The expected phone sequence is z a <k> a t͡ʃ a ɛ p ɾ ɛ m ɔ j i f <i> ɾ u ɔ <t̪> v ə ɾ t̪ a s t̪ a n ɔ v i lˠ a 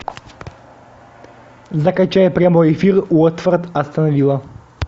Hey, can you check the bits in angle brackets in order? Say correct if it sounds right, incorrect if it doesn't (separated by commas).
correct, correct, correct